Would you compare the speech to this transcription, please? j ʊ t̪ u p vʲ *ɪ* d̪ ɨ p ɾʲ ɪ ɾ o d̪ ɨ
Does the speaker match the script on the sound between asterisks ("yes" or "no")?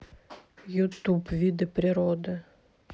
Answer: no